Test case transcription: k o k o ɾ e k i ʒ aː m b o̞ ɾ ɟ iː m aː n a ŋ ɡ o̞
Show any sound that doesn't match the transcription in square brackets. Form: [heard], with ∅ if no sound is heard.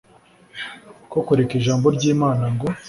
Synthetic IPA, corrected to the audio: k o k o ɾ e k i ʒ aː m b o̞ ɾ ɟ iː m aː n a ŋ ɡ o̞